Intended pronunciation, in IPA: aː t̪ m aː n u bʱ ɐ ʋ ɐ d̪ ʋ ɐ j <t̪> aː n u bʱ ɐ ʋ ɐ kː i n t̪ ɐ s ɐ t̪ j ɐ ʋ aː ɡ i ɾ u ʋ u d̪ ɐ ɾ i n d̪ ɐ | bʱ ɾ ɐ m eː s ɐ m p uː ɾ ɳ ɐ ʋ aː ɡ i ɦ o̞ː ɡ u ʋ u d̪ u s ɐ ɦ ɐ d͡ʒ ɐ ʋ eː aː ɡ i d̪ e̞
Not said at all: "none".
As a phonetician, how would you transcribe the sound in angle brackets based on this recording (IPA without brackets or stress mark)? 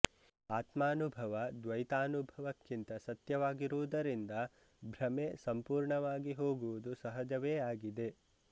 t̪